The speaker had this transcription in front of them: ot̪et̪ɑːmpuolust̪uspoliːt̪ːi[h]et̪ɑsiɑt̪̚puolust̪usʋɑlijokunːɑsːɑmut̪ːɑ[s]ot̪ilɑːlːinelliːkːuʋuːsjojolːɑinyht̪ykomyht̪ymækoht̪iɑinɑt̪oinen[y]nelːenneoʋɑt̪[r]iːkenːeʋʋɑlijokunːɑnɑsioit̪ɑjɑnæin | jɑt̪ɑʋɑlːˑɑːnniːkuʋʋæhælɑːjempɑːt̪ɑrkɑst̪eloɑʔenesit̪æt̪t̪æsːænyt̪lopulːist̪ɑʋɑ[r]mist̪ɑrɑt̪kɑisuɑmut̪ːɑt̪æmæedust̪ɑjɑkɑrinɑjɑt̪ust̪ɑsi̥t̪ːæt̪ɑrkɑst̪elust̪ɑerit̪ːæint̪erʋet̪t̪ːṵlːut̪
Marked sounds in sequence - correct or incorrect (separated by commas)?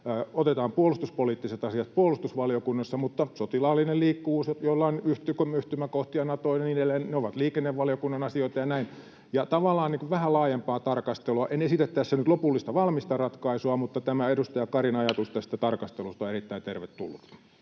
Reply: incorrect, correct, incorrect, incorrect, incorrect